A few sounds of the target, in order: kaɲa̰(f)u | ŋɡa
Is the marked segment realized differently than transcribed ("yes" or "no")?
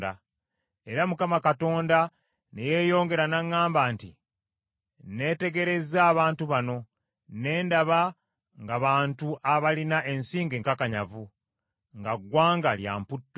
yes